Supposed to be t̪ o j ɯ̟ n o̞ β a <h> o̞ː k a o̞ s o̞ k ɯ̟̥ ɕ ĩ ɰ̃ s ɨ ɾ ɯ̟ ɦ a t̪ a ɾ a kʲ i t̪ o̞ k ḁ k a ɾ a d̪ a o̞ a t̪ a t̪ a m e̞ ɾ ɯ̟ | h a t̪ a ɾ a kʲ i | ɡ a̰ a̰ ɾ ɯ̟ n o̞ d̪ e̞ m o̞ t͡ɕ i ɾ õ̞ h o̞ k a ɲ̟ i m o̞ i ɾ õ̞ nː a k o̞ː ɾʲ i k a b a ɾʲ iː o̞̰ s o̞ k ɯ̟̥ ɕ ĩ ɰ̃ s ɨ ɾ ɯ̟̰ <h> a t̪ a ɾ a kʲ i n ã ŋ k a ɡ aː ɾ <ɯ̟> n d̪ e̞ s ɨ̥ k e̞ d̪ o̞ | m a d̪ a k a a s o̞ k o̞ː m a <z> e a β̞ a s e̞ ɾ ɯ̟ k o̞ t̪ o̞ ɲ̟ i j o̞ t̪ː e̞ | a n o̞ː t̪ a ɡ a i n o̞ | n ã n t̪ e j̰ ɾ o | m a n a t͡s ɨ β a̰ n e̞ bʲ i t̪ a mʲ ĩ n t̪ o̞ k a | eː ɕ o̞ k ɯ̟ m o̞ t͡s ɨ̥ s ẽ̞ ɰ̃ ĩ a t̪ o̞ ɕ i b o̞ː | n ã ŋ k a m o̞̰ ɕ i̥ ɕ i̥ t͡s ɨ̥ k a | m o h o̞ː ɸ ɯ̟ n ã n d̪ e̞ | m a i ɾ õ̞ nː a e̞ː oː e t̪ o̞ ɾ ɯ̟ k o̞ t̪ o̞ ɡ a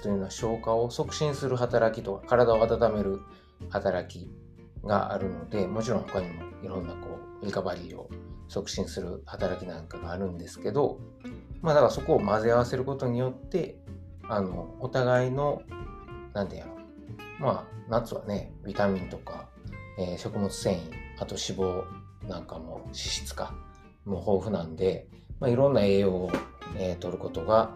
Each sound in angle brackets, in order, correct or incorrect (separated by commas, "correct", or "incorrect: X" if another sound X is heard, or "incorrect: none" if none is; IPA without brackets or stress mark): incorrect: ɕ, correct, incorrect: ɯ̟̃, correct